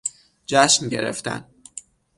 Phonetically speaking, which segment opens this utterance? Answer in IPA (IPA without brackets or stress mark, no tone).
d͡ʒ